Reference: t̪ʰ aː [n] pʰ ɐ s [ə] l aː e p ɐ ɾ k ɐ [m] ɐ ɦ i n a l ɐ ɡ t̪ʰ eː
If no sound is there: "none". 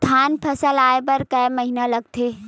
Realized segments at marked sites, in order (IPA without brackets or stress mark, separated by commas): n, ə, m